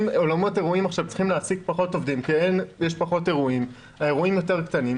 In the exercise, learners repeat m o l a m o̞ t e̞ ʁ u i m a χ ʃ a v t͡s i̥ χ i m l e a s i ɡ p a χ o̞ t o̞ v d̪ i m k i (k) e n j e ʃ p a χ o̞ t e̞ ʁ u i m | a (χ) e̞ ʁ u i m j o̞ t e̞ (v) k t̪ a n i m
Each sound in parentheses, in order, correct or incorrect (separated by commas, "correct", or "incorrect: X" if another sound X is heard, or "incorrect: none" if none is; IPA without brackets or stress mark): incorrect: none, incorrect: none, incorrect: ʁ